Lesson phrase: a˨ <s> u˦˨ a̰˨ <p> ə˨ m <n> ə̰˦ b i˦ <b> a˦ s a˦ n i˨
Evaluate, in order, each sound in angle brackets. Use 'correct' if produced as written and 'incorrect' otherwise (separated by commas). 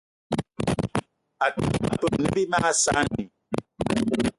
incorrect, correct, correct, incorrect